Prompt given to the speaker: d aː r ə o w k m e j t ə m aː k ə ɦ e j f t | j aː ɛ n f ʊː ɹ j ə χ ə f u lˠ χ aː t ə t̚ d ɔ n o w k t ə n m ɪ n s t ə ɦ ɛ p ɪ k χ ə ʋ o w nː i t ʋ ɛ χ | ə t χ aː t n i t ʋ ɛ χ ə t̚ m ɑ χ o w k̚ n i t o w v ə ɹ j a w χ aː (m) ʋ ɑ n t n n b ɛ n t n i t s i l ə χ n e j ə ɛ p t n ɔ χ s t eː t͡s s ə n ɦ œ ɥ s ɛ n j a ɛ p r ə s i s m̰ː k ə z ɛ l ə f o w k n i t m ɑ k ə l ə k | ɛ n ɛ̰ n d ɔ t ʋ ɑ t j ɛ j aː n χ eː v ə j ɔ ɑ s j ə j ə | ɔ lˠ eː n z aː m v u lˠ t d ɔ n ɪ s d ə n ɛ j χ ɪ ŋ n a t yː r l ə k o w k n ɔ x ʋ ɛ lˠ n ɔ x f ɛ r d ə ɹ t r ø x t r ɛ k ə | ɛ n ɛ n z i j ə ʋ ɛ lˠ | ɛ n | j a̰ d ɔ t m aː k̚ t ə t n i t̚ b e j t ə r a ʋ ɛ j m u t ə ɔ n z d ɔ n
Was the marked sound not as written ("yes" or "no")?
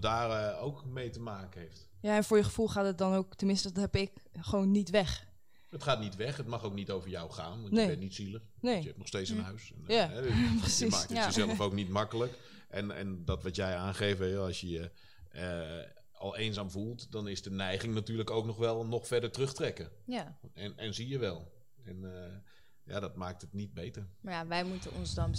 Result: yes